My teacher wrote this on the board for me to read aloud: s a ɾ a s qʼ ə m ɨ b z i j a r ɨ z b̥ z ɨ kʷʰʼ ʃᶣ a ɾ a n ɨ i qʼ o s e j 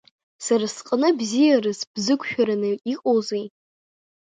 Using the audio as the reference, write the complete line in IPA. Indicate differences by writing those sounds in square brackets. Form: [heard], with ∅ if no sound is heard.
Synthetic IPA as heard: s a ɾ a s qʼ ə [n] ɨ b z i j a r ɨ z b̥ z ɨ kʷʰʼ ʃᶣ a ɾ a n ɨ i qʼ o [z] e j

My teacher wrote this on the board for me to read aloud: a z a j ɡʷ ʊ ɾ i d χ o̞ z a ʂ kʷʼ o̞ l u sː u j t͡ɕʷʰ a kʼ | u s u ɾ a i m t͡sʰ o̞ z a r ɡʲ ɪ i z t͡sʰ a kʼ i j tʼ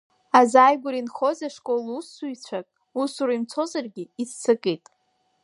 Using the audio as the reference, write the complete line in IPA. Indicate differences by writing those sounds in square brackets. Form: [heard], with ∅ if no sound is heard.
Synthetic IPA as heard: a z a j ɡʷ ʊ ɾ i [n] χ o̞ z a ʂ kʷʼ o̞ l u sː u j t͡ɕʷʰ a kʼ | u s u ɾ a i m t͡sʰ o̞ z a r ɡʲ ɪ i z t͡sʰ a kʼ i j tʼ

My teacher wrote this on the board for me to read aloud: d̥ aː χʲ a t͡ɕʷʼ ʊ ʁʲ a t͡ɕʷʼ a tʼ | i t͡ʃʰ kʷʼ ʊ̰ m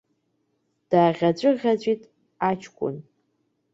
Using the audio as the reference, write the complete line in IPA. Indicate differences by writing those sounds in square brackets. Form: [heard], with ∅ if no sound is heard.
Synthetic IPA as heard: d̥ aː [ʁʲ] a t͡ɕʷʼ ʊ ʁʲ a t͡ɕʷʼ [i] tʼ | [a] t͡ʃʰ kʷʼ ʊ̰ [n]

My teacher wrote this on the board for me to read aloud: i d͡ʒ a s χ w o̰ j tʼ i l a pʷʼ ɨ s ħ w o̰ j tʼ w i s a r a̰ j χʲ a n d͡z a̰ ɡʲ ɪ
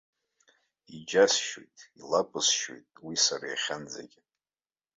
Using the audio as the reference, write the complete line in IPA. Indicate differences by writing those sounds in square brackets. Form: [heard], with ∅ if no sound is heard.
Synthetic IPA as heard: i d͡ʒ a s [ʃ] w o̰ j tʼ i l a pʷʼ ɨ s [ʃ] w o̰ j tʼ w i s a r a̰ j χʲ a n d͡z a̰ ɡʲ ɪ

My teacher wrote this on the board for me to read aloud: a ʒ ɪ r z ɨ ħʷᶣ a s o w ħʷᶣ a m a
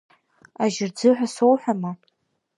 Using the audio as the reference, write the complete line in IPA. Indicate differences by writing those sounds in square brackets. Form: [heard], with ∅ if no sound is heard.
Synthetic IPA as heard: a ʒ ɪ r [d͡z] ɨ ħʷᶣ a s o w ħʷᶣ a m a

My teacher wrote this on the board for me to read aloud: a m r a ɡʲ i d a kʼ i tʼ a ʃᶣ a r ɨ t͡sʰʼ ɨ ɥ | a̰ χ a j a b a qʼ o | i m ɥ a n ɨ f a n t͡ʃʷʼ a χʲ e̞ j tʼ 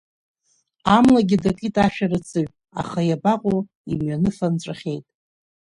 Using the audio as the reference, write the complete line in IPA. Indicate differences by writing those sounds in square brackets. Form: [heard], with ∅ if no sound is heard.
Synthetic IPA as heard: a m [l] a ɡʲ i d a kʼ i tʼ a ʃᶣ a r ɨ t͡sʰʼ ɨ ɥ | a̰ χ a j a b a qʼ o | i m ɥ a n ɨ f a n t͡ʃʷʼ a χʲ e̞ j tʼ

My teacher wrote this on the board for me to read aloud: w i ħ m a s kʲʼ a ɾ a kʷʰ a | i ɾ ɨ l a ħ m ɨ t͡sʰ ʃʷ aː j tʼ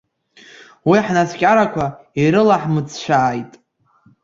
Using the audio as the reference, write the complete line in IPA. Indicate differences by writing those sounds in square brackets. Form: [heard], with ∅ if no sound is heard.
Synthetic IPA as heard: w i ħ [n] a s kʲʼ a ɾ a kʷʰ a | i ɾ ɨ l a ħ m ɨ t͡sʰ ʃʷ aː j tʼ

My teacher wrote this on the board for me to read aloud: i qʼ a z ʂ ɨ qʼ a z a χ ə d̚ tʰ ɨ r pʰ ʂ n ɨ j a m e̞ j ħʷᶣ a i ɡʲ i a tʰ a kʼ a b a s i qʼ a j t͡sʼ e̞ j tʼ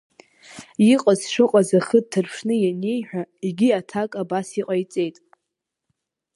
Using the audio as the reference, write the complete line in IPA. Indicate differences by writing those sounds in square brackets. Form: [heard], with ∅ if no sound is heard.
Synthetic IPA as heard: i qʼ a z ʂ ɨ qʼ a z a χ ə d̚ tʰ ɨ r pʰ ʂ n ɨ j a [n] e̞ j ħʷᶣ a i ɡʲ i a tʰ a kʼ a b a s i qʼ a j t͡sʼ e̞ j tʼ

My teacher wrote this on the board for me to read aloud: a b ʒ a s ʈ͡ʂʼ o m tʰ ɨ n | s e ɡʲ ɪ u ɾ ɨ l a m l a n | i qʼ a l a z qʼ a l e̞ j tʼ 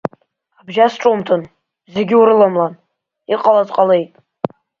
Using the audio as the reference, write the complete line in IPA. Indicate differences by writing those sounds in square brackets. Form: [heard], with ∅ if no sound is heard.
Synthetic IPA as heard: a b ʒ a s ʈ͡ʂʼ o m tʰ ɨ n | [z] e ɡʲ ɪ u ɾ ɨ l a m l a n | i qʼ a l a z qʼ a l e̞ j tʼ

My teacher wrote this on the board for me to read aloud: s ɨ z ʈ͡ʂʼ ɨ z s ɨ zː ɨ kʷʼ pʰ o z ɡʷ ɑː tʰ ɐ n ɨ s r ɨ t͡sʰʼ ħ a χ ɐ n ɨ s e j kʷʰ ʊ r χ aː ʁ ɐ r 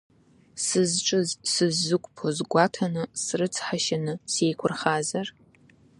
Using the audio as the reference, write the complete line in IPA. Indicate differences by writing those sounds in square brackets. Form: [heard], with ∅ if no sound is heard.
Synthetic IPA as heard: s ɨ z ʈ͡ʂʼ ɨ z s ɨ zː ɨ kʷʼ pʰ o z ɡʷ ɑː tʰ ɐ n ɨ s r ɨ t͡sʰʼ ħ a [ʃ] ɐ n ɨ s e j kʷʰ ʊ r χ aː [z] ɐ r

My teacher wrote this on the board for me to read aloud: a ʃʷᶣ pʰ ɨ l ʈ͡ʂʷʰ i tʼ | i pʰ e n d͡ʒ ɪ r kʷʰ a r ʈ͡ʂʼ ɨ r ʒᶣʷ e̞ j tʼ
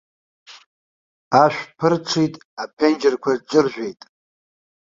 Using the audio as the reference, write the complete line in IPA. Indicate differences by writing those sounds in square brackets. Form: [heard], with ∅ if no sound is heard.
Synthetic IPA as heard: a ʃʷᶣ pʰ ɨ [r] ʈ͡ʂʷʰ i tʼ | [a] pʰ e n d͡ʒ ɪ r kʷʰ a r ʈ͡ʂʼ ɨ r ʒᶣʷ e̞ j tʼ

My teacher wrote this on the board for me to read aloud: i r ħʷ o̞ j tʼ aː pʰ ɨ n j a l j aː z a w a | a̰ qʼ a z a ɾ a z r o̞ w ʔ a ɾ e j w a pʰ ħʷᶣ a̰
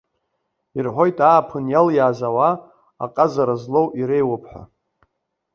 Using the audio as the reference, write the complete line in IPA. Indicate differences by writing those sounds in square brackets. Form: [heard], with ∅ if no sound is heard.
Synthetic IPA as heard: i r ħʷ o̞ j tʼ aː pʰ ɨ n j a l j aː z a w a | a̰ qʼ a z a ɾ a z [l] o̞ w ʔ [i] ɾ e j w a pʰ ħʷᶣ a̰

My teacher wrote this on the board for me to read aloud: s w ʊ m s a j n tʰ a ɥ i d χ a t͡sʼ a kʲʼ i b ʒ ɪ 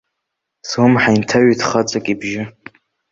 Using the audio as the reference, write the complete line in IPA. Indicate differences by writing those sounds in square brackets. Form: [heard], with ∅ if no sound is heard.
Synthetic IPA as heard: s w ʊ m [ħ] a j n tʰ a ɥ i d χ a t͡sʼ a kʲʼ i b ʒ ɪ

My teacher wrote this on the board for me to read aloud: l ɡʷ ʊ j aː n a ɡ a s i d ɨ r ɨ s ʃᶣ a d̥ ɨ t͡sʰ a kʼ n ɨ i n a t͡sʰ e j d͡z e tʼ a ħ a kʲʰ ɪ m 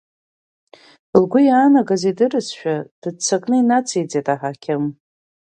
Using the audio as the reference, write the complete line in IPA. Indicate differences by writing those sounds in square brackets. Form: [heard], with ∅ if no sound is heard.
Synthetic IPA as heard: l ɡʷ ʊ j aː n a ɡ a [z] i d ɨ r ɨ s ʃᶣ a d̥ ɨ t͡sʰ a kʼ n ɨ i n a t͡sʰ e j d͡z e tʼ a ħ a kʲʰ ɪ m

